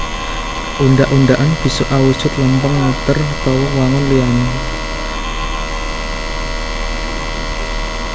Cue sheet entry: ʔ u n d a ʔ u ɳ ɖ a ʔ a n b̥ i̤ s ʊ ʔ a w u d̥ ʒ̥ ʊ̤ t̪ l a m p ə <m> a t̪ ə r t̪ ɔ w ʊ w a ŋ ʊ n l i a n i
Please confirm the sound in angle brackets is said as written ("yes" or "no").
no